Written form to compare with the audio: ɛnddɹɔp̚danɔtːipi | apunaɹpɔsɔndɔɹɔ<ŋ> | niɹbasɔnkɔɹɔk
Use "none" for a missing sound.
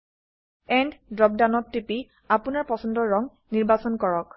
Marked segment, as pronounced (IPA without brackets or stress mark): ŋ